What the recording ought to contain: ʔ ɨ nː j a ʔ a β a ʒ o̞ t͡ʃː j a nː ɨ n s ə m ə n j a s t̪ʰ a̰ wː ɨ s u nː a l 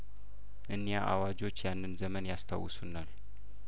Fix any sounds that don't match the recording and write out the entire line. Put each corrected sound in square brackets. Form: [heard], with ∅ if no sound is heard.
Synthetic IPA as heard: ʔ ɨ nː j a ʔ a [w] a [d͡ʒ] o̞ t͡ʃː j a nː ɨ n [z] ə m ə n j a s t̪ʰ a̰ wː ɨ s u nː a l